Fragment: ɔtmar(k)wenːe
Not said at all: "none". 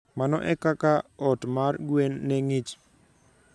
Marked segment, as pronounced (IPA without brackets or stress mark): ɡ